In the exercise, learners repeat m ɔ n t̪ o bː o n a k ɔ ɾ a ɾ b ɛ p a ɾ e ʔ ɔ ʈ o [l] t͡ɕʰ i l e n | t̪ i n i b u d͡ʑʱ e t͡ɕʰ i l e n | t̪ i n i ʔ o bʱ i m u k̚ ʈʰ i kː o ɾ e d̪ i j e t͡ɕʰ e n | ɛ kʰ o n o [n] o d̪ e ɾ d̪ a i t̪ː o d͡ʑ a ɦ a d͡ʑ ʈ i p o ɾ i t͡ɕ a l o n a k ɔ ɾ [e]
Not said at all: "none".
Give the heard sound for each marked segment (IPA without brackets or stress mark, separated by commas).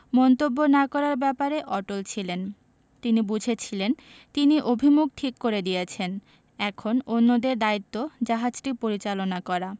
l, nː, a